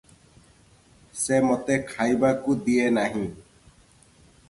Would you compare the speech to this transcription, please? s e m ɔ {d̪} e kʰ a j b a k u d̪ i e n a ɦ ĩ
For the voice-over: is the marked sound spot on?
no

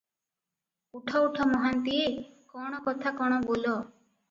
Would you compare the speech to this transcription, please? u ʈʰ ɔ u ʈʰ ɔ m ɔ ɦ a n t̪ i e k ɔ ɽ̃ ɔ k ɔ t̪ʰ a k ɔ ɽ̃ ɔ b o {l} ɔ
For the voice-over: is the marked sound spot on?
yes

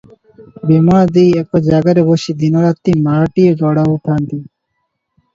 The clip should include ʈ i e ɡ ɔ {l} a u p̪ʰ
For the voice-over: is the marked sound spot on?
no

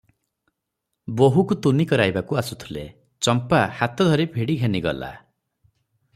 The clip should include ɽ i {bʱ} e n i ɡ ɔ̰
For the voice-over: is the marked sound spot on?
no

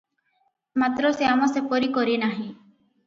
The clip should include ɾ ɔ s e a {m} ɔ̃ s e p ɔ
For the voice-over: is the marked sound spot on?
yes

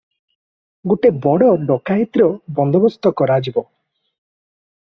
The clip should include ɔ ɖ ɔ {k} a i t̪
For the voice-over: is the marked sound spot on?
yes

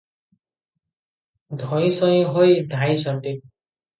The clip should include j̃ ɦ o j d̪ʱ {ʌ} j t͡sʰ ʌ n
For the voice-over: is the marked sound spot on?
no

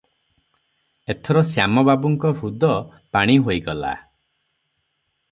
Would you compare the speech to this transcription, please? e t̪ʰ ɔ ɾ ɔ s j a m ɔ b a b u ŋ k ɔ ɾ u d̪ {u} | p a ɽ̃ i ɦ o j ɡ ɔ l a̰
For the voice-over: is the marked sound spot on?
no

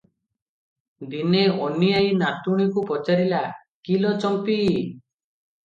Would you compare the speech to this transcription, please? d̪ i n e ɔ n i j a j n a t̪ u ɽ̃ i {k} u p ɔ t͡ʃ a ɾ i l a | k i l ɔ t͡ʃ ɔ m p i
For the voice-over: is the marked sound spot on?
yes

